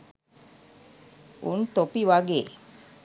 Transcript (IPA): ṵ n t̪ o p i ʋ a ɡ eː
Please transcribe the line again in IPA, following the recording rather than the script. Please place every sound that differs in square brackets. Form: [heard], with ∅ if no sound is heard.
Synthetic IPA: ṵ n t̪ o p i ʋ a ɡ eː